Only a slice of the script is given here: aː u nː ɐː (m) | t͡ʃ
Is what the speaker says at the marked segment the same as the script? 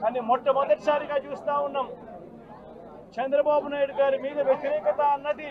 yes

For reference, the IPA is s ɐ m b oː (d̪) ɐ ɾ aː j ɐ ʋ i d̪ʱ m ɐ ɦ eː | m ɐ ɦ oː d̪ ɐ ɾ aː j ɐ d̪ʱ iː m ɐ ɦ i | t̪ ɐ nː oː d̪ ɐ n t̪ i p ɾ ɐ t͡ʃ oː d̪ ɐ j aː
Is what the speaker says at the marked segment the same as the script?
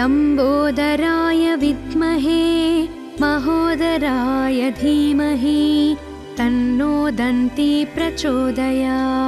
yes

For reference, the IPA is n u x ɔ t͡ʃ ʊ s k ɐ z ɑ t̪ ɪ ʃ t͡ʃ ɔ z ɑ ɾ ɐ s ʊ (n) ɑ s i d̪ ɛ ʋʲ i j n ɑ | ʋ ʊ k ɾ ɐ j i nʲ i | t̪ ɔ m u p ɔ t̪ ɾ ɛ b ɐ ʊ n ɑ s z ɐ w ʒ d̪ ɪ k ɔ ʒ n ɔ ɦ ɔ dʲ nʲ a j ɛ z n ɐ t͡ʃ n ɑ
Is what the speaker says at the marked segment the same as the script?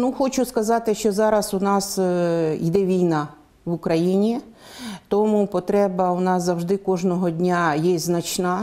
yes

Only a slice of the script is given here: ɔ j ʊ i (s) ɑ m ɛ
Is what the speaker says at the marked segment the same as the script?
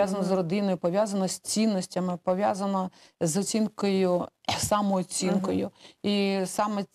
yes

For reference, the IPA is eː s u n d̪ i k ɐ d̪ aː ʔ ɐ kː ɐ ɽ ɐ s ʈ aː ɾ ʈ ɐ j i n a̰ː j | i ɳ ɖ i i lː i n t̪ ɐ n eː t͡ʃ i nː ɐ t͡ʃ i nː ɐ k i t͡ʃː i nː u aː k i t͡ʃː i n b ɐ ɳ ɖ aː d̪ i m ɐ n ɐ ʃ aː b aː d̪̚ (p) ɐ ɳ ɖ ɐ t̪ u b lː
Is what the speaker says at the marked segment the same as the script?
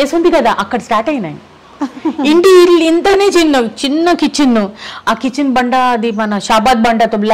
no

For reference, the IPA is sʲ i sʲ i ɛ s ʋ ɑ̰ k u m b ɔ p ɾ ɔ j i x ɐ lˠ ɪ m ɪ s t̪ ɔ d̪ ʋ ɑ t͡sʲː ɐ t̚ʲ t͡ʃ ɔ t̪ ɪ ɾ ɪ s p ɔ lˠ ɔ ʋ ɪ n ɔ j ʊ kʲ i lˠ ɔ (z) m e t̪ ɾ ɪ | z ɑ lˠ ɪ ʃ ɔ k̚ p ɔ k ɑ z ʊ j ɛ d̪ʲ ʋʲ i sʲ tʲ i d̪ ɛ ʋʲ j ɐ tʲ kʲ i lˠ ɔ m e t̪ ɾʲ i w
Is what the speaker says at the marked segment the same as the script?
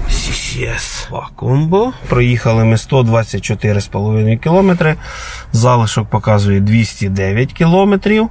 no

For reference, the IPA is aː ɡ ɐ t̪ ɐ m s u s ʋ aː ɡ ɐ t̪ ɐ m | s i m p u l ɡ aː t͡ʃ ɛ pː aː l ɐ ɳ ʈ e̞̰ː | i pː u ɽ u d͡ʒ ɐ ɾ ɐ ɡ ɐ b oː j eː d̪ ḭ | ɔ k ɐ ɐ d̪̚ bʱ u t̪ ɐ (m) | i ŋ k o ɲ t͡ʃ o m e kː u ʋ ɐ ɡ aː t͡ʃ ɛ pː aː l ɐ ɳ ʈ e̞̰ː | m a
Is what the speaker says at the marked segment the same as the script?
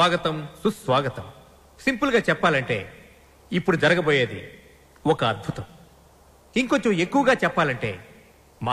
yes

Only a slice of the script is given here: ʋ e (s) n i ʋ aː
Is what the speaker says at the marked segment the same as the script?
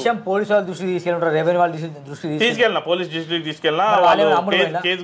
no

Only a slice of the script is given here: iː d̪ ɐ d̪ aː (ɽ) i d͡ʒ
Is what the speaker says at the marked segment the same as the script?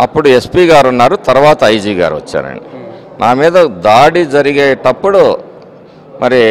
yes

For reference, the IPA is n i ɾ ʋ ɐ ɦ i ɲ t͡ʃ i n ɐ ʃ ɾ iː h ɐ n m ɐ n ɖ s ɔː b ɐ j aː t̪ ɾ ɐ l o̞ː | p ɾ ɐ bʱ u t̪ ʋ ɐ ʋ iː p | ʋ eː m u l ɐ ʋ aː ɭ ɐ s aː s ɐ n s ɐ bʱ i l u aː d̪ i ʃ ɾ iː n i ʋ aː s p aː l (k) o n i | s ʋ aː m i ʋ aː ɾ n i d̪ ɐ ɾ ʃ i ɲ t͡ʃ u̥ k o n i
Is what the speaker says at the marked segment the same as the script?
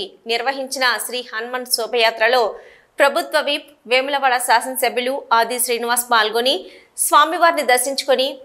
no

